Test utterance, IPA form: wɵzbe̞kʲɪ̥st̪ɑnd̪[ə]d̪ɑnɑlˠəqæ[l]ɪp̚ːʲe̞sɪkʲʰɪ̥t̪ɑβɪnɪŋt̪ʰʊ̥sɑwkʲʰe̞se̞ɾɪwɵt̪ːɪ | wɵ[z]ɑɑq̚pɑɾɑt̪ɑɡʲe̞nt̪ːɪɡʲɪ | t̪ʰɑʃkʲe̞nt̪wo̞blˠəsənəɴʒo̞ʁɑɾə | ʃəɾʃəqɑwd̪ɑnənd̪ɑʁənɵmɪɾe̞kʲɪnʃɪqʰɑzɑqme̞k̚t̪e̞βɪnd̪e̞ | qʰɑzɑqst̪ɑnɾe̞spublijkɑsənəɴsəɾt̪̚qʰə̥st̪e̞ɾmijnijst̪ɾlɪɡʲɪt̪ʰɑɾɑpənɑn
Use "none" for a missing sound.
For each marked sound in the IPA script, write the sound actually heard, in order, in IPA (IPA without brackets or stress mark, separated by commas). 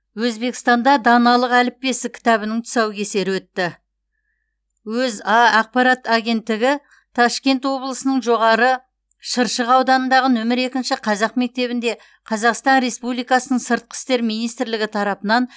ɑ, l, z